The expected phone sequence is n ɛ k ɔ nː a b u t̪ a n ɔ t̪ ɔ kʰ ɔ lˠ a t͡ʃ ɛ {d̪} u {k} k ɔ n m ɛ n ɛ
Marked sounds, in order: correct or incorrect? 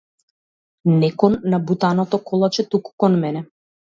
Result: incorrect: t̪, correct

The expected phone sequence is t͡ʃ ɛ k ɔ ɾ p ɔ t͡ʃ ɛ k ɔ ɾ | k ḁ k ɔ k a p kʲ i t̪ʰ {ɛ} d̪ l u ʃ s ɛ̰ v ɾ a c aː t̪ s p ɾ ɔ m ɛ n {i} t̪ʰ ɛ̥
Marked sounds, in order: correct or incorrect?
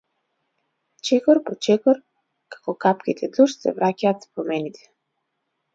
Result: correct, correct

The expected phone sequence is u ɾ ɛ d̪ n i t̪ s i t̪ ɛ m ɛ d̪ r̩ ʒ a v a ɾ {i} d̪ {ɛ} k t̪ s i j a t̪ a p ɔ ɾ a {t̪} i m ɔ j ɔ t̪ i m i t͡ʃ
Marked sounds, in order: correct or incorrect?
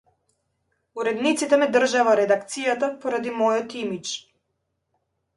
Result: incorrect: ɛ, incorrect: a, incorrect: d̪

